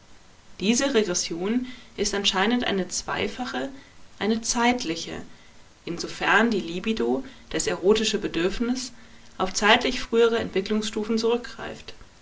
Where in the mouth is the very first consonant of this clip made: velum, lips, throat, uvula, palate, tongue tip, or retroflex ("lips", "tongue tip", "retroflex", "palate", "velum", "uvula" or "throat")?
tongue tip